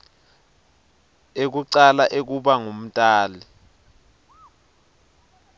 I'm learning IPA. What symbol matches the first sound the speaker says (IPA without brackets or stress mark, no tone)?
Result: e